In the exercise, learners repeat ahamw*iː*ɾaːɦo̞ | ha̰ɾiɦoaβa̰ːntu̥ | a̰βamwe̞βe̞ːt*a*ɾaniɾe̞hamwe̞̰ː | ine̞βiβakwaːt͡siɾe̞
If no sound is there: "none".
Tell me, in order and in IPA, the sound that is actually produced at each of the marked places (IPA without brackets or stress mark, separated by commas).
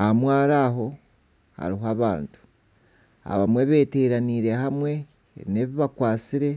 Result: aː, e